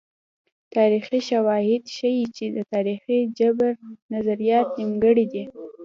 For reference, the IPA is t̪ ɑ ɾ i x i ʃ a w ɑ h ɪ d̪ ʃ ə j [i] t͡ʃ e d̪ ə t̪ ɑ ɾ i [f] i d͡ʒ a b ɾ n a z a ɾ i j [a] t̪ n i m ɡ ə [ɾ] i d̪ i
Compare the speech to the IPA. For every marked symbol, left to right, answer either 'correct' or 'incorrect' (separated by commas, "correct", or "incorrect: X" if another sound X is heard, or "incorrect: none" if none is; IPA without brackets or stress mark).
correct, incorrect: x, incorrect: ɑ, incorrect: ɽ